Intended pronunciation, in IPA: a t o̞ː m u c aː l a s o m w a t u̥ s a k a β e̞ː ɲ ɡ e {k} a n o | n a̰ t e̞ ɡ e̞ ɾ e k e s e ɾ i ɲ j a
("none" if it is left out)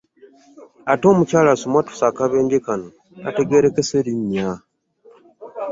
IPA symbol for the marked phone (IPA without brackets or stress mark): k